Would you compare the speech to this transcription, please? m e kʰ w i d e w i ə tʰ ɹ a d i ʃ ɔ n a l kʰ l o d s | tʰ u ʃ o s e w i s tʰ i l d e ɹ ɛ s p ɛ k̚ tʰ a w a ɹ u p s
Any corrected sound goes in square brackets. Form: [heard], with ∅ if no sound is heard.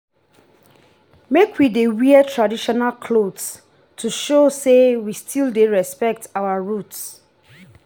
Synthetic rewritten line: m e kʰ w i d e w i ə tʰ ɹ a d i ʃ ɔ n a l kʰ l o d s | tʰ u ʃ o s e w i s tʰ i l d e ɹ ɛ s p ɛ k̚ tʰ a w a ɹ u [t] s